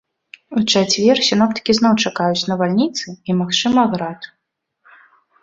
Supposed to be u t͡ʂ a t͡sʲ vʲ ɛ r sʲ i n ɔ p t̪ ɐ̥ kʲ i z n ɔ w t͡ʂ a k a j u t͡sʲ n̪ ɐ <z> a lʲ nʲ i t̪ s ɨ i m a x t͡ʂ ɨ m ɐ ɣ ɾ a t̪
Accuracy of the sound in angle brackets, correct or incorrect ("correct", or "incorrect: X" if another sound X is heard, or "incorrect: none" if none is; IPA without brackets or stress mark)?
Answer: incorrect: v